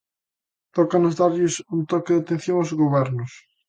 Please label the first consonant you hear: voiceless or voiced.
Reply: voiceless